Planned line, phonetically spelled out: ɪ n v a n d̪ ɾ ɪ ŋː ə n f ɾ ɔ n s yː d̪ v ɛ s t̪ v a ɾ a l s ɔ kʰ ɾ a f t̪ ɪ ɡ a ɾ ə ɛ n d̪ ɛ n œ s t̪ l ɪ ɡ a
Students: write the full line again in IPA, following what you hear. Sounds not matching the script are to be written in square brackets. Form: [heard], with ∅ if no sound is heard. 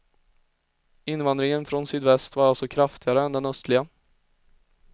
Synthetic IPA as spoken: ɪ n v a n d̪ ɾ ɪ [ŋ] ə n f ɾ ɔ n s yː d̪ v ɛ s t̪ v a ɾ a l s ɔ kʰ ɾ a f t̪ ɪ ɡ a ɾ ə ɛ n d̪ ɛ n œ s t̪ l ɪ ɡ a